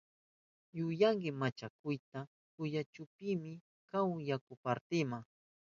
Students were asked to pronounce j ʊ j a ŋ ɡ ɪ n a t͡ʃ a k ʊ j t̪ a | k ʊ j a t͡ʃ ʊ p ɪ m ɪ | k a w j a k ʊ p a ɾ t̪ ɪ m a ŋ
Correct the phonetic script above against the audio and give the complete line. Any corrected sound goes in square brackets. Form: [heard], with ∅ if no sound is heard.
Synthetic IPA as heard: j ʊ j a ŋ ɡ ɪ [m] a t͡ʃ a k ʊ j t̪ a | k ʊ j a t͡ʃ ʊ p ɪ m ɪ | k a w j a k ʊ p a ɾ t̪ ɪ m a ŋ